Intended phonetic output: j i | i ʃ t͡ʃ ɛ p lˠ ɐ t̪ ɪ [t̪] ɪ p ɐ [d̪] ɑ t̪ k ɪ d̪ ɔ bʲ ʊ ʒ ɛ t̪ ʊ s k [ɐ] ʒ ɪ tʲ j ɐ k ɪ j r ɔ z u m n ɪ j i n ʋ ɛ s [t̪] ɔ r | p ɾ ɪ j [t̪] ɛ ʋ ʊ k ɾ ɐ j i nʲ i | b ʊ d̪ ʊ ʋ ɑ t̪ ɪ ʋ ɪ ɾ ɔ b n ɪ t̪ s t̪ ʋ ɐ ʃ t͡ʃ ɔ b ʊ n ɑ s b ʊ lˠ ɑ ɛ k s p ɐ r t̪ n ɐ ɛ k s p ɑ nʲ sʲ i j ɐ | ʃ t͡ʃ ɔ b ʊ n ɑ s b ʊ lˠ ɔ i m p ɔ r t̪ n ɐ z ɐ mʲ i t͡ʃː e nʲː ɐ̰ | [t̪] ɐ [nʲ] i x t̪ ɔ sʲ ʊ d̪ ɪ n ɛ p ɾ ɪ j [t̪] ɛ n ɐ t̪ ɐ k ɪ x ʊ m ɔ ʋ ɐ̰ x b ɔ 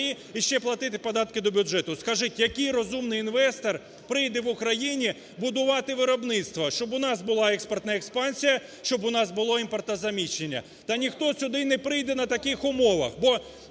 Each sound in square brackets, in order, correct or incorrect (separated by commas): correct, correct, correct, correct, incorrect, correct, correct, incorrect